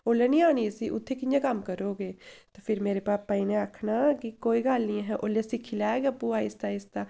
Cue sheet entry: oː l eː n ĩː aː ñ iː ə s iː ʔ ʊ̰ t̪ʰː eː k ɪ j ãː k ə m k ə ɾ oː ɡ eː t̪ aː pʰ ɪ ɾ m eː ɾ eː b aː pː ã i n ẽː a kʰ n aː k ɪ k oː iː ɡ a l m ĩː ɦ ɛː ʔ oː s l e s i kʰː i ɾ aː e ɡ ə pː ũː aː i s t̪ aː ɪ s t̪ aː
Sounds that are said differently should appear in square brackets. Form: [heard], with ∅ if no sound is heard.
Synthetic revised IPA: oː l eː n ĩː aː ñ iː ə s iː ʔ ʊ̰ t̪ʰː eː k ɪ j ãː k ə m k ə ɾ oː ɡ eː t̪ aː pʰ ɪ ɾ m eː ɾ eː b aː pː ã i n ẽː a kʰ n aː k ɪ k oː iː ɡ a l [n] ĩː ɦ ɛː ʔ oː [∅] l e s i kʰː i [l] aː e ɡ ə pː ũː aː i s t̪ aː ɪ s t̪ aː